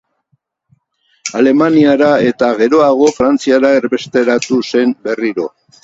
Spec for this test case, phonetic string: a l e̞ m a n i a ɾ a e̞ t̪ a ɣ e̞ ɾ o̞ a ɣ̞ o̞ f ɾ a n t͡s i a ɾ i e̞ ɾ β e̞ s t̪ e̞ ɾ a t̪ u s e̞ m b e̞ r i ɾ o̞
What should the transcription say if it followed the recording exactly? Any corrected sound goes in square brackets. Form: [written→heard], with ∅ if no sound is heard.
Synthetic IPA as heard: a l e̞ m a n i a ɾ a e̞ t̪ a ɣ e̞ ɾ o̞ a ɣ̞ o̞ f ɾ a n t͡s i a ɾ [i→a] e̞ ɾ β e̞ s t̪ e̞ ɾ a t̪ u s e̞ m b e̞ r i ɾ o̞